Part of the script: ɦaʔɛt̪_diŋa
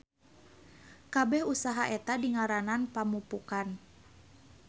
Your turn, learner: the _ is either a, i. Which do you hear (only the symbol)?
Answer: a